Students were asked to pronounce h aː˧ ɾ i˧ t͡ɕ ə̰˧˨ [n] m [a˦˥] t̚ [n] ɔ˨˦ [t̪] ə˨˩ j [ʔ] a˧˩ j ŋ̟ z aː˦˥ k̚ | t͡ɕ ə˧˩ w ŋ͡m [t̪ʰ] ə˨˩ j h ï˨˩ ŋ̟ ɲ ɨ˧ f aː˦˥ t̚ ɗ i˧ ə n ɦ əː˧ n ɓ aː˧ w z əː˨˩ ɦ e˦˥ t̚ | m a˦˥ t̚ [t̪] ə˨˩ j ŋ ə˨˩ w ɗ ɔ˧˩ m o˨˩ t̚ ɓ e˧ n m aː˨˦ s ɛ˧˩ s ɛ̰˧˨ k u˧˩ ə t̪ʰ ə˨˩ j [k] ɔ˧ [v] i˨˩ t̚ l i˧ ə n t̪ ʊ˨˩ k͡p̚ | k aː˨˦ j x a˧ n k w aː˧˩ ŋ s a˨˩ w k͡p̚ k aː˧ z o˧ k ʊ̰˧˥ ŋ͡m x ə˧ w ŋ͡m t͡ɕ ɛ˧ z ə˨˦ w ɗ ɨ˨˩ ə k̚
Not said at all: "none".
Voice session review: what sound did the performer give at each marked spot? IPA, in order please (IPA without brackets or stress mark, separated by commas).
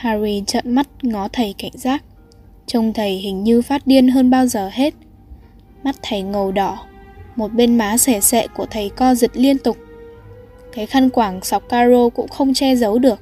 n, a˦˥, ŋ, t̪ʰ, k, t̪ʰ, t̪ʰ, k, z